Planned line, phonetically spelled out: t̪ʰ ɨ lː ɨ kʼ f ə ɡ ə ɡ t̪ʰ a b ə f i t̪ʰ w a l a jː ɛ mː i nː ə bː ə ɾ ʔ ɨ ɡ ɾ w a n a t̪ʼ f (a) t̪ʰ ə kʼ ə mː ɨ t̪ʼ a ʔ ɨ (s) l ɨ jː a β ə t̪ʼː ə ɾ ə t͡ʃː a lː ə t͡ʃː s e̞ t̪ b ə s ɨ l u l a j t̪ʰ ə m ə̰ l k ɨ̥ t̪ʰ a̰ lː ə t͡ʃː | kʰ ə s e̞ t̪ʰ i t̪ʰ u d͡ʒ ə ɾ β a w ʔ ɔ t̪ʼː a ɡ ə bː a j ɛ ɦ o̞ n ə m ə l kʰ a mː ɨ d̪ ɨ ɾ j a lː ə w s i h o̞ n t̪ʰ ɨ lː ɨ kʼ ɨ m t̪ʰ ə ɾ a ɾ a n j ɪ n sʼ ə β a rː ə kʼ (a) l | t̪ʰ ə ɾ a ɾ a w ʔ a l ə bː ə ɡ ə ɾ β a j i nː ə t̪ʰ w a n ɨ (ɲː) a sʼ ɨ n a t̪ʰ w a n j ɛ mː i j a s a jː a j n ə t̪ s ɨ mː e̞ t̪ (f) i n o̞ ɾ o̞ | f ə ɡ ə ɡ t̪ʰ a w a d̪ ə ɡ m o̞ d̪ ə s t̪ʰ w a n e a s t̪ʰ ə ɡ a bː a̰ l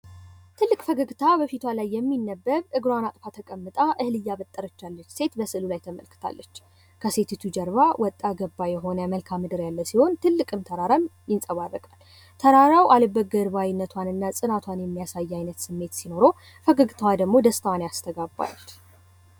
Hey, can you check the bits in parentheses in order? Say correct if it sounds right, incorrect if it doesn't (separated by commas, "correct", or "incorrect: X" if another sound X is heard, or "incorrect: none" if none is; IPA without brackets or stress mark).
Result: correct, incorrect: h, correct, incorrect: nː, incorrect: s